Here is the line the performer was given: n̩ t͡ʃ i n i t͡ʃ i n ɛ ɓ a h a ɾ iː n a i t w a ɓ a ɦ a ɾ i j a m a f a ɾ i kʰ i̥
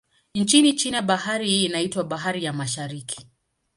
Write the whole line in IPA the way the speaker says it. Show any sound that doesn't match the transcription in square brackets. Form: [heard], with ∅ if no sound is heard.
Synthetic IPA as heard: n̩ t͡ʃ i n i t͡ʃ i n ɛ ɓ a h a ɾ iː n a i t w a ɓ a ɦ a ɾ i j a m a [ʃ] a ɾ i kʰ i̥